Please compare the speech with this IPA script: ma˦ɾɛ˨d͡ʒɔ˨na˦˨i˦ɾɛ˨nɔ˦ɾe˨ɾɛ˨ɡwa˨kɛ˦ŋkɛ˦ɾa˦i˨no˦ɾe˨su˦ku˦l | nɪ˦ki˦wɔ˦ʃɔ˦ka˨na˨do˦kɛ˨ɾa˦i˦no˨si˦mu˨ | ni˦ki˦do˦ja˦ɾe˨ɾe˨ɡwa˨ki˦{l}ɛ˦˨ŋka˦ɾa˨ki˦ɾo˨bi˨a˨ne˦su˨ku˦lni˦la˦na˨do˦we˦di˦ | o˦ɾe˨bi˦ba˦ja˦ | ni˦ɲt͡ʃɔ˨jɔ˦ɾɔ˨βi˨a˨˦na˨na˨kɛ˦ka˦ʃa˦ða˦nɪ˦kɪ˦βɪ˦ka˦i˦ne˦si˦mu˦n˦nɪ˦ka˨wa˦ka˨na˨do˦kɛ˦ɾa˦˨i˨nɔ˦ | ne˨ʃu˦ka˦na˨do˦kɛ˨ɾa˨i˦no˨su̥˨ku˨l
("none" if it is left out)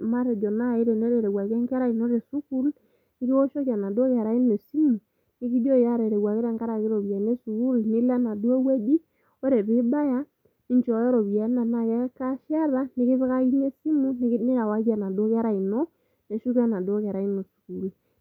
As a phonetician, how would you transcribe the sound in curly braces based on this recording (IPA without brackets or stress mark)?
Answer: ɾ